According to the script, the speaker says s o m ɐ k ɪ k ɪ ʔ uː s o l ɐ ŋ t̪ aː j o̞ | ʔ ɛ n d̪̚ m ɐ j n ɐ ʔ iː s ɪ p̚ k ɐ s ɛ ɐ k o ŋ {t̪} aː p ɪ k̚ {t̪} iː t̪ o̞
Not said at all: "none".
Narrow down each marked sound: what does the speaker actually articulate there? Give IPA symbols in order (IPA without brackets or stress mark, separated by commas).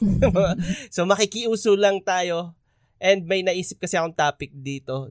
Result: t̪, d̪